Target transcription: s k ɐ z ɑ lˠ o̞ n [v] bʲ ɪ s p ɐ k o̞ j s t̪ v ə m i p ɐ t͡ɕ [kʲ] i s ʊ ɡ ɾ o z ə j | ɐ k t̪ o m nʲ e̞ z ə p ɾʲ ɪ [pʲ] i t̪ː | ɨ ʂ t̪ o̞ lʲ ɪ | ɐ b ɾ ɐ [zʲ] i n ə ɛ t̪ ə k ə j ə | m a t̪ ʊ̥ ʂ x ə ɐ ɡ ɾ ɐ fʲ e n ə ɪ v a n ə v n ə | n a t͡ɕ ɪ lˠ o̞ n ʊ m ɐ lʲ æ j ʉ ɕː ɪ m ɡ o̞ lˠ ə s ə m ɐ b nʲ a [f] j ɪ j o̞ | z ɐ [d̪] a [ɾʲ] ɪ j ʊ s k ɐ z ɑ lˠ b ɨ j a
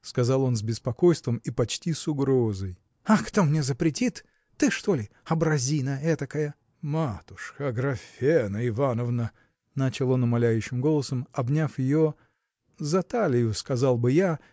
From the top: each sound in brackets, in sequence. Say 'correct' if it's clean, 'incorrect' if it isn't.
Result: incorrect: z, incorrect: tʲ, incorrect: tʲ, correct, correct, incorrect: t̪, incorrect: lʲ

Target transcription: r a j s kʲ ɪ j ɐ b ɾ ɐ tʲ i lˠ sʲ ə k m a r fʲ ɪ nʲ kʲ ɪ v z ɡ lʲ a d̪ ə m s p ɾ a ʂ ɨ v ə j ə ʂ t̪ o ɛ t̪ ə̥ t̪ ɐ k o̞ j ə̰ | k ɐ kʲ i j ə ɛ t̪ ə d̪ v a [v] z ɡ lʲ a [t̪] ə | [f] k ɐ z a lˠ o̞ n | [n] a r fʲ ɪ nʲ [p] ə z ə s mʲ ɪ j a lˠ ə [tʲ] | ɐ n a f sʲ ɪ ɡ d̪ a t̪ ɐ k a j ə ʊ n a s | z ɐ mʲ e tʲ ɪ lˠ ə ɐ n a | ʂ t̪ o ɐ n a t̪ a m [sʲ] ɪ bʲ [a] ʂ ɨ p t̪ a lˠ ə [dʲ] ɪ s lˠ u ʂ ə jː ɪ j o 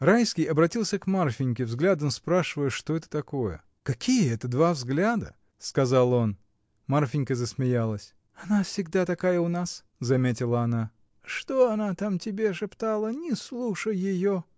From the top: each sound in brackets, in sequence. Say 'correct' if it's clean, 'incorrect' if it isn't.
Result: correct, incorrect: d̪, incorrect: s, incorrect: m, incorrect: k, incorrect: sʲ, incorrect: tʲ, incorrect: e, incorrect: nʲ

